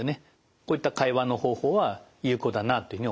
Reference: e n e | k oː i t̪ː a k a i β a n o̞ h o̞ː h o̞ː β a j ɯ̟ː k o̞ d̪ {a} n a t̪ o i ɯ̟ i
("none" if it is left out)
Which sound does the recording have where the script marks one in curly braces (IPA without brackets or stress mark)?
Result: a